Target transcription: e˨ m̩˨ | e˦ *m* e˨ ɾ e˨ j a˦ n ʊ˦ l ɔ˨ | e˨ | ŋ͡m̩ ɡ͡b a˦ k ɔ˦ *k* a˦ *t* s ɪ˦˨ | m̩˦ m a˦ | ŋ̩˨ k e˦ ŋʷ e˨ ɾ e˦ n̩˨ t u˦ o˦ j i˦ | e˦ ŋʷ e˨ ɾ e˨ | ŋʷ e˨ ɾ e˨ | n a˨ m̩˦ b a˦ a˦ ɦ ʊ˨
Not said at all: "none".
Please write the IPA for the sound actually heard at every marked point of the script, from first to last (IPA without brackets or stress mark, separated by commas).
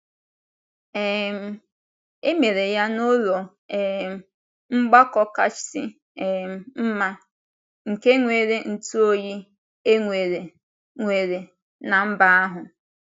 m, k, t͡ʃ